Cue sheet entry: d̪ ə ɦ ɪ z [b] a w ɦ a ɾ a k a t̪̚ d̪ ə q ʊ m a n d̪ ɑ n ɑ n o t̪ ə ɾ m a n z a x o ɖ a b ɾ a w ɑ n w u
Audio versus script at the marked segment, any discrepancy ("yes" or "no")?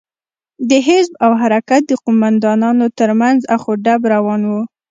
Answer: no